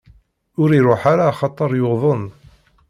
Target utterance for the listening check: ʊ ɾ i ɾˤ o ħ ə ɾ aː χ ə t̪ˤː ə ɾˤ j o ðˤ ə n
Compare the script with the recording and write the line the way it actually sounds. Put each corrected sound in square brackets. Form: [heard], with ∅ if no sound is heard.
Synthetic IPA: ʊ ɾ i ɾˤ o ħ [a] ɾ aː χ [ɑ] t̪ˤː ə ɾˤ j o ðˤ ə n